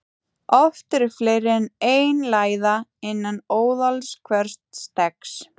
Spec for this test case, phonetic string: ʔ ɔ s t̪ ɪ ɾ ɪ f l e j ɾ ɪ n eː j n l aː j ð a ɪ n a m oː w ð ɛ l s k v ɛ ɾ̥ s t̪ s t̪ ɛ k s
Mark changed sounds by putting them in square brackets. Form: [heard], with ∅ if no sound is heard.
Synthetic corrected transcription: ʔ ɔ [f] t̪ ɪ ɾ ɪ f l e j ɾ ɪ n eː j n l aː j ð a ɪ [nː] a [n] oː w ð [a] l s [kʰ] v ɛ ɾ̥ s t̪ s t̪ ɛ k s

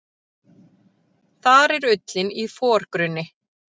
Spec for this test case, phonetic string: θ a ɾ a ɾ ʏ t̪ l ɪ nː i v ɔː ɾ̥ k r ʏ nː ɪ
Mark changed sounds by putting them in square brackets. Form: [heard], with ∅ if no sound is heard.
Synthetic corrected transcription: θ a ɾ [ɛ] ɾ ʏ t̪ l ɪ [n] i [f] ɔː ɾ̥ k [ɾ] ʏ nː ɪ

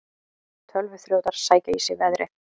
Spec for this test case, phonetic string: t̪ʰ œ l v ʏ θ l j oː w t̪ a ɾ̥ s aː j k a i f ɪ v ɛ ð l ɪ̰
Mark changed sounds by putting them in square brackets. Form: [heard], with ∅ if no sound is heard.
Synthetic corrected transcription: t̪ʰ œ l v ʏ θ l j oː w t̪ a ɾ̥ s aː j [c] a i [s] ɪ v ɛ ð [ɾ] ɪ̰

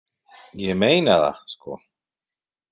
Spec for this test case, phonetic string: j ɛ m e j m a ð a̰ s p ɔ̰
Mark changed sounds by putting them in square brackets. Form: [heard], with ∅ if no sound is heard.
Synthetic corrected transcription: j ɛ m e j [n] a ð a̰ s [k] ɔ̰

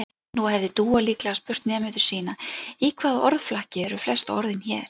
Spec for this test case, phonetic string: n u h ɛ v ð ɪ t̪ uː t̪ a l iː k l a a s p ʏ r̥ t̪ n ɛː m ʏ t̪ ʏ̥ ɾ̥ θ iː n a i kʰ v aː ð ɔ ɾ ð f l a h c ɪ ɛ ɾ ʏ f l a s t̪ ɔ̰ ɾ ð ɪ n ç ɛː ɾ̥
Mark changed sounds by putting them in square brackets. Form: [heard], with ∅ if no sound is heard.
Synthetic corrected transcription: n u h ɛ v ð ɪ t̪ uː [∅] a l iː k l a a s p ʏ r̥ t̪ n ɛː m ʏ t̪ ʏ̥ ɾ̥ [s] iː n a i kʰ v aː ð ɔ ɾ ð f l a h c ɪ ɛ ɾ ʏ f l [ɛ] s t̪ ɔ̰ ɾ ð ɪ n ç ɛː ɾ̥

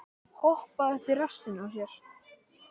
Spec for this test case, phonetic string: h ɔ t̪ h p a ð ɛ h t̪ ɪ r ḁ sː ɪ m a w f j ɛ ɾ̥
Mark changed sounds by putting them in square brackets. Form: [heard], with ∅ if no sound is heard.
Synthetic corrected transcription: h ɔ [∅] h p a ð ɛ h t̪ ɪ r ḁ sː ɪ [n] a w [s] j ɛ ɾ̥

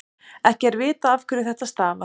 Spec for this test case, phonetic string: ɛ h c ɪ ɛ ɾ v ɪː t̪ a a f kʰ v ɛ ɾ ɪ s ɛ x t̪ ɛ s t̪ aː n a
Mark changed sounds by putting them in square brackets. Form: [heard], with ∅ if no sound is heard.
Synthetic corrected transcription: ɛ h c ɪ ɛ ɾ v ɪː t̪ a a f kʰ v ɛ ɾ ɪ [θ] ɛ [h] t̪ [a] s t̪ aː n a

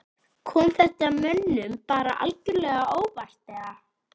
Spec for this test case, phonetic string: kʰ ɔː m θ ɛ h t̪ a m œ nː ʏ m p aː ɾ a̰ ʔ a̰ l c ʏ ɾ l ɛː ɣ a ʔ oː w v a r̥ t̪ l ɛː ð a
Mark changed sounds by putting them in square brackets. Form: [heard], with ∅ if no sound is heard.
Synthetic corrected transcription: kʰ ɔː m θ ɛ h t̪ a m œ nː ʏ m p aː ɾ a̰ ʔ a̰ l c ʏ ɾ l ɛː ɣ a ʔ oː w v a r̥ t̪ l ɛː [ɣ] a

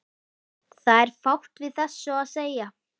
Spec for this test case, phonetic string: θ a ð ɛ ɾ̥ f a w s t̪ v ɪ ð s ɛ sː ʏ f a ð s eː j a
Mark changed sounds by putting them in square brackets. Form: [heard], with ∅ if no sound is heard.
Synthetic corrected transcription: θ a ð ɛ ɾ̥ f a w [h] t̪ v ɪ ð [θ] ɛ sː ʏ [∅] a ð s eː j a

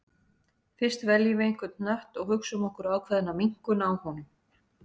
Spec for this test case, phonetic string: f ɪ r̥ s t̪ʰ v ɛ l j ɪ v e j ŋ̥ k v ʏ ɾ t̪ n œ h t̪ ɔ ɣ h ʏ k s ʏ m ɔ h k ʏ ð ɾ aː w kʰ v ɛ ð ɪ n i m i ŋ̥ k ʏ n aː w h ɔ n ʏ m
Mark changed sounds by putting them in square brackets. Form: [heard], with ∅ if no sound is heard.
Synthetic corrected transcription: f ɪ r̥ s [t̪] v ɛ l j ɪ v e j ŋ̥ k v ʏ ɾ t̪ n œ h t̪ ɔ ɣ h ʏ k s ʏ m ɔ h k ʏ [∅] ɾ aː w kʰ v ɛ ð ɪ n [a] m i ŋ̥ k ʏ n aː w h ɔ n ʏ m

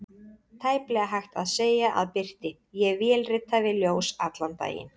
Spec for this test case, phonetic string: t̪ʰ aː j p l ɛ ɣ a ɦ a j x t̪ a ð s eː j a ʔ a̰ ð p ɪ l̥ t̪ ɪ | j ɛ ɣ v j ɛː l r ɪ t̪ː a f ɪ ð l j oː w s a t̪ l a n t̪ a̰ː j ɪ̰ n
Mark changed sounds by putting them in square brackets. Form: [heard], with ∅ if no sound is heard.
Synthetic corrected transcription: t̪ʰ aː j p l ɛ ɣ a ɦ a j x t̪ a ð s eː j a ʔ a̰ ð p ɪ [r̥] t̪ ɪ | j ɛ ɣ v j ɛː l r ɪ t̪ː a [v] ɪ ð l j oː w s a t̪ l a n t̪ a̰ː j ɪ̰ n

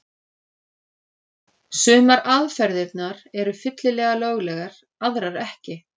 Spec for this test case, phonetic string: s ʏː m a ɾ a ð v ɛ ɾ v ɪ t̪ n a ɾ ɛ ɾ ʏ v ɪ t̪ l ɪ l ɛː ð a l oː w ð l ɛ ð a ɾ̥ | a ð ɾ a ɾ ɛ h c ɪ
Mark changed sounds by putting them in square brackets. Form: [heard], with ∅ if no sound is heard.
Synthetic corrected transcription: s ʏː m a ɾ a ð [f] ɛ ɾ [ð] ɪ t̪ n a ɾ ɛ ɾ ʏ [f] ɪ t̪ l ɪ l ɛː [ɣ] a l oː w [ɣ] l ɛ [ɣ] a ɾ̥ | a ð ɾ a ɾ ɛ h c ɪ

